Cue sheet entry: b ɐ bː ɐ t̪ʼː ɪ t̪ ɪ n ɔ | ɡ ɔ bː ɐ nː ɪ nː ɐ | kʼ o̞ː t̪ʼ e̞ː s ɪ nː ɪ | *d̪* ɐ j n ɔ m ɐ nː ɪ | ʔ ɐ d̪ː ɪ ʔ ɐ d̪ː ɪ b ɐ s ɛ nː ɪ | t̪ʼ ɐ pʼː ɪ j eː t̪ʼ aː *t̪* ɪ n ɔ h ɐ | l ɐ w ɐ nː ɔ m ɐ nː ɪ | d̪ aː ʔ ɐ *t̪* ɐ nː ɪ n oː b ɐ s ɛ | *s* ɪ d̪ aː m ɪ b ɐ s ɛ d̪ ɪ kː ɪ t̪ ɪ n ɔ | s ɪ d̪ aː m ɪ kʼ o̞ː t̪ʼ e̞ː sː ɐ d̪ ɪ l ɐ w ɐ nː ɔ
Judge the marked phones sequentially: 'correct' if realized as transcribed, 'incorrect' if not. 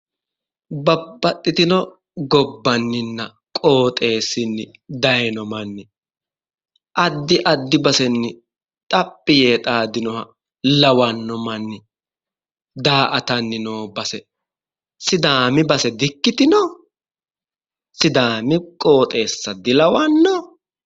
correct, incorrect, correct, correct

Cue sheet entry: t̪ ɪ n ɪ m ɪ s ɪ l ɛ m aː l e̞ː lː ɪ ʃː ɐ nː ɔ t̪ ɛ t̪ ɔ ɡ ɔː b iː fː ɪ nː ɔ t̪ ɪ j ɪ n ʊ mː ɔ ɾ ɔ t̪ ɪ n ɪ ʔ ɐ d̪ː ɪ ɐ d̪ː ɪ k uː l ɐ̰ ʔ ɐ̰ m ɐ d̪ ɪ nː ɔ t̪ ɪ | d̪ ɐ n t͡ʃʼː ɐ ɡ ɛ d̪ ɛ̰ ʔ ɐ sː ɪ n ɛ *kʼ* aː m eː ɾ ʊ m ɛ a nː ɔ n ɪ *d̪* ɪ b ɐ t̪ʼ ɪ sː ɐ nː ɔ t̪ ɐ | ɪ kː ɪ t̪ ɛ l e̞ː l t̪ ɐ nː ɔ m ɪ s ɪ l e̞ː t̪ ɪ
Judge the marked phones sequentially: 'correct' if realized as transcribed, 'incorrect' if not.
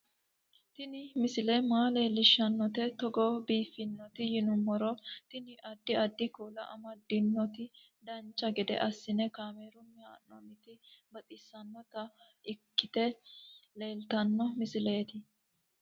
incorrect, incorrect

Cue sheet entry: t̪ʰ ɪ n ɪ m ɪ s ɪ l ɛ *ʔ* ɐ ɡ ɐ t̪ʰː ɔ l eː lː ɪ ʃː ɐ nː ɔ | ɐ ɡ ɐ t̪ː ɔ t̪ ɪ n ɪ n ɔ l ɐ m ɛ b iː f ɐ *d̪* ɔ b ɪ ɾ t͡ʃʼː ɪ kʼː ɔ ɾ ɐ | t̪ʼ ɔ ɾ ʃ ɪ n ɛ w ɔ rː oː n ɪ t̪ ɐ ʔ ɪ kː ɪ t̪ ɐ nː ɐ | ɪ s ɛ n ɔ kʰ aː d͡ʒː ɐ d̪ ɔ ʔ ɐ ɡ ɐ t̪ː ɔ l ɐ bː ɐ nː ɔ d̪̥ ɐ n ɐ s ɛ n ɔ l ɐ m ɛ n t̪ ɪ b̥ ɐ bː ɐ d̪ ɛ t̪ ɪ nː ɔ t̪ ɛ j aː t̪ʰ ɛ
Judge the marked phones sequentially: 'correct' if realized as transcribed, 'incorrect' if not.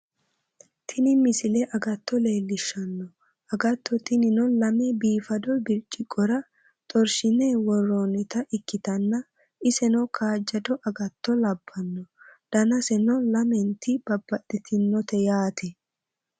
correct, correct

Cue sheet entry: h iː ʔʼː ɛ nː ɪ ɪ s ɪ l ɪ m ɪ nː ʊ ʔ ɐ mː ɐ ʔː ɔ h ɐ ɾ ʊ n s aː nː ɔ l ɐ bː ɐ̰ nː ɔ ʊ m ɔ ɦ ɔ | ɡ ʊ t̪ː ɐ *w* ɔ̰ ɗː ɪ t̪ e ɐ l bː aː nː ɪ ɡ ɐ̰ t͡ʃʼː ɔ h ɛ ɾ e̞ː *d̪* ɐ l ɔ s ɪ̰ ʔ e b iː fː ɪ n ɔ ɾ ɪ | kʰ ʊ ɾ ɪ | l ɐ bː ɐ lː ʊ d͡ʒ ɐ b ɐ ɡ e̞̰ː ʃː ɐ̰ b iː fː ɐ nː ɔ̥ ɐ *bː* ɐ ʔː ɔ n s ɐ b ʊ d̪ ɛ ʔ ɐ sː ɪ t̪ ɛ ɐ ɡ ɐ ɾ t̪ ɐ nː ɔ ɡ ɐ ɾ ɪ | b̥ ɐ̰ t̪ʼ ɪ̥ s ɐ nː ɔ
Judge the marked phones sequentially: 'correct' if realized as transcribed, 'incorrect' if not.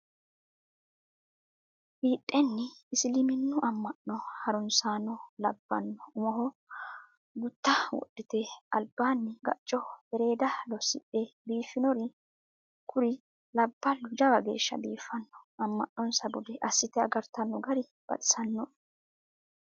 correct, correct, incorrect

